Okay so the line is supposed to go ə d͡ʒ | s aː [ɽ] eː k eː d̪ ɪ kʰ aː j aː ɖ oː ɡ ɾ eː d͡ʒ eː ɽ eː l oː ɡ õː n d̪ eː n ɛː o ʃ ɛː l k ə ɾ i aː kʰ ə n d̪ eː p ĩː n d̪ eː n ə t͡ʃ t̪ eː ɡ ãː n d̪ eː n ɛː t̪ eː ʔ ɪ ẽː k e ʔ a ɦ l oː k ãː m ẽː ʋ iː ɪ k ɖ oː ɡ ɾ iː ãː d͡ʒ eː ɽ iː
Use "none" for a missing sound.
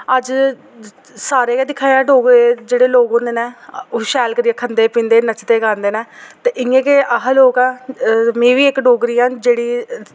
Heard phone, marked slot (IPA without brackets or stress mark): ɾ